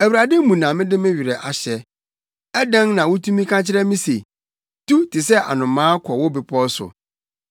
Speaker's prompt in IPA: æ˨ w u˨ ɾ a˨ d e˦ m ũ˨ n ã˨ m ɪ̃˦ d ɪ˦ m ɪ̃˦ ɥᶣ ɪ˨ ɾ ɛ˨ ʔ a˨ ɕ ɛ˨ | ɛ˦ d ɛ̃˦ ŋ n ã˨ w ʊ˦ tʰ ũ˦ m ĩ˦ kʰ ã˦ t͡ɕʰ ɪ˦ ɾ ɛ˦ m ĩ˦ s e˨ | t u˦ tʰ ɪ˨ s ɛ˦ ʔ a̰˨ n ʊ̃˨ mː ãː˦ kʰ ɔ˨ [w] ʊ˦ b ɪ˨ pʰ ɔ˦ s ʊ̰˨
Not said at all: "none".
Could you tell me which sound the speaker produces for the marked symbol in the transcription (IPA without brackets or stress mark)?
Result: w